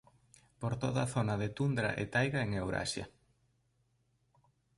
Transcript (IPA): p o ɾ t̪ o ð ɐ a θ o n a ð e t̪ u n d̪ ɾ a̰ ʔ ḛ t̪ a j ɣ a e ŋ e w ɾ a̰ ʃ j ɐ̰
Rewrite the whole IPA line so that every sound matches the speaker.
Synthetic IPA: p o ɾ t̪ o ð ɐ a θ o n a ð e t̪ u n d̪ ɾ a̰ ʔ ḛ t̪ a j ɣ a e ŋ e w ɾ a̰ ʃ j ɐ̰